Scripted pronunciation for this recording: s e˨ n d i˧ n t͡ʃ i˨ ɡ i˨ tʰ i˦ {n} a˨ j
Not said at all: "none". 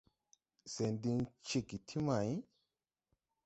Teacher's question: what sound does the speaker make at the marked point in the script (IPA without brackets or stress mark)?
m